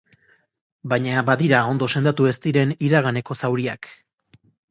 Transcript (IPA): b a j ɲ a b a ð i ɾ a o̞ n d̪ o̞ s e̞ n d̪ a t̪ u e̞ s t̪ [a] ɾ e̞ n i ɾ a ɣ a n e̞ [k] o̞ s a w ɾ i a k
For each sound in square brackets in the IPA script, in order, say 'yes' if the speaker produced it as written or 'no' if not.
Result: no, yes

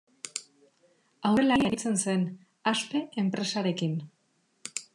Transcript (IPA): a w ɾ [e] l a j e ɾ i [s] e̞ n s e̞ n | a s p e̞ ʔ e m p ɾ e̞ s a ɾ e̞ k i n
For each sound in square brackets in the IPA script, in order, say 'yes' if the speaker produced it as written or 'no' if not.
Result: yes, no

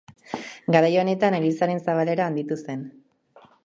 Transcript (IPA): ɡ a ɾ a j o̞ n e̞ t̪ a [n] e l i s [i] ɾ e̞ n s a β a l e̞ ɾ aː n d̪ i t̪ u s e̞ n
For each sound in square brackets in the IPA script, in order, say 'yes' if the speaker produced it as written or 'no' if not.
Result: yes, no

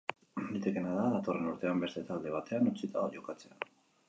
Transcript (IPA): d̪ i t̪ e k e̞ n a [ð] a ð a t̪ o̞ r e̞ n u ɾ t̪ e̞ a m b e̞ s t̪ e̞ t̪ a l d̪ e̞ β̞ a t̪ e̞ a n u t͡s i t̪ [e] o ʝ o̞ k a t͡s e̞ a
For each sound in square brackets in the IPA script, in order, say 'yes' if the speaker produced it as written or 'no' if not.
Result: yes, no

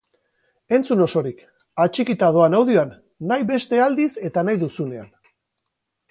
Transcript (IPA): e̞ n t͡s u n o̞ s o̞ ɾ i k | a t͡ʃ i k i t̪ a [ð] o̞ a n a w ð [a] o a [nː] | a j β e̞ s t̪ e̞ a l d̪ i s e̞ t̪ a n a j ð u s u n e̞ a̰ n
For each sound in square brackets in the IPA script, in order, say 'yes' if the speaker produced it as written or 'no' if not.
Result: yes, no, yes

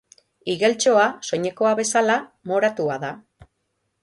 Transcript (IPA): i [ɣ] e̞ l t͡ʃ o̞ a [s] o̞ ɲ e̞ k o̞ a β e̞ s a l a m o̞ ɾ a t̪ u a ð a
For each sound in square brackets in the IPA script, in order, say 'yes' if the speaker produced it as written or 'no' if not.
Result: yes, yes

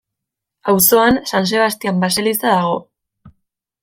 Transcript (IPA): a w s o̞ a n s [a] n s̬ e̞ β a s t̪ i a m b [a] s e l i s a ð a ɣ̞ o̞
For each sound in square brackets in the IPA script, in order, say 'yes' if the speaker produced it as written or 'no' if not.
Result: yes, yes

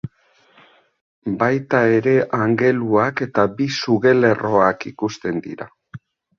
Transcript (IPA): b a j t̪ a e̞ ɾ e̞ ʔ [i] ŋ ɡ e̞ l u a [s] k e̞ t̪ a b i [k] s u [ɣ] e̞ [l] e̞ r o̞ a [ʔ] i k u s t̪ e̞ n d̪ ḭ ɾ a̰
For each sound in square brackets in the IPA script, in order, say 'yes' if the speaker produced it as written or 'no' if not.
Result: no, no, no, yes, yes, no

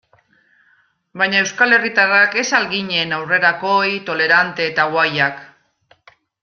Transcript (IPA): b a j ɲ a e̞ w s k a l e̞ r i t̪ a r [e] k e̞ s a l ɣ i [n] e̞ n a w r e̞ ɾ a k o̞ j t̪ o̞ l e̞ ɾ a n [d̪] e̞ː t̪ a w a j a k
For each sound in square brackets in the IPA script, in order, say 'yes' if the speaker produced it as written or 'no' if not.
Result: no, no, no

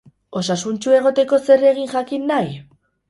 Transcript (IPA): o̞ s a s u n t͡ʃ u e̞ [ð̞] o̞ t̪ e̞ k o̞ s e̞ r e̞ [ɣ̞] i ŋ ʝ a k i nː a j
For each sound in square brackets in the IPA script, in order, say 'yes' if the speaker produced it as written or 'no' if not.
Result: no, yes

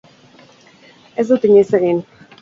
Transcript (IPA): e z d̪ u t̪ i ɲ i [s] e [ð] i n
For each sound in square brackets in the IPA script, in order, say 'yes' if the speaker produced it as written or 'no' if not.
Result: yes, no

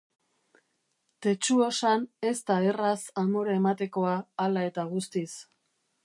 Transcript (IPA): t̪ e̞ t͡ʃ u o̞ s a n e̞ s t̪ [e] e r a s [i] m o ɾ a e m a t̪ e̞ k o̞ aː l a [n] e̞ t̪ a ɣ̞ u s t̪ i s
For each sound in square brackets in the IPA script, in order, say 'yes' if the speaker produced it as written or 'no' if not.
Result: no, no, no

